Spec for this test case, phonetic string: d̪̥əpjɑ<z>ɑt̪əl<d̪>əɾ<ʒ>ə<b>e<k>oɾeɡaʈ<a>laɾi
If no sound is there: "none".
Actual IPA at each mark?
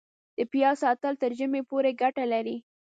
s, t̪, ʒ, m, p, a

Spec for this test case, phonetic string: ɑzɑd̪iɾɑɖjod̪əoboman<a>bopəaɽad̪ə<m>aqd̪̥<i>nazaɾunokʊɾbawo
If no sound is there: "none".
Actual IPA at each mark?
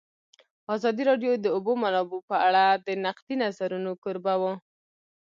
ɑ, n, i

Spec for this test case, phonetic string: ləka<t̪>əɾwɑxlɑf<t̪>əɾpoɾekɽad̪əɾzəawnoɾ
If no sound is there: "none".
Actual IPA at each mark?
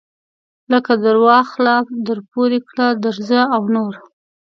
d̪, d̪

